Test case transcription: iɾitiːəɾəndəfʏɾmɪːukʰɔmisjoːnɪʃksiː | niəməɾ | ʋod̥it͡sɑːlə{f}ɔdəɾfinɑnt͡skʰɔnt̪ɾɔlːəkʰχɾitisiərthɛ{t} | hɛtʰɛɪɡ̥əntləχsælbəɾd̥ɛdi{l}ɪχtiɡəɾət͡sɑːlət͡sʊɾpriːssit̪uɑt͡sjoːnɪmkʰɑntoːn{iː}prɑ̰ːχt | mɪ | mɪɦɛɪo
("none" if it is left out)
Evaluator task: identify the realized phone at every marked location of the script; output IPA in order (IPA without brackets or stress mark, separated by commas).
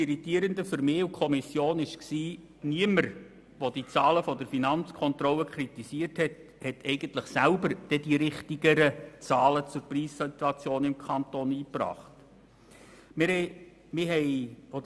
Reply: f, t, ɾ, iː